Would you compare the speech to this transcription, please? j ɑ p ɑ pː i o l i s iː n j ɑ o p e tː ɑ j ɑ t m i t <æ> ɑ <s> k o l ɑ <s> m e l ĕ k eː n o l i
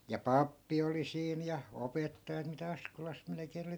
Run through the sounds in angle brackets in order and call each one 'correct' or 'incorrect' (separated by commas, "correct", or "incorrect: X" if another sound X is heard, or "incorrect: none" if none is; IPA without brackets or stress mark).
correct, correct, correct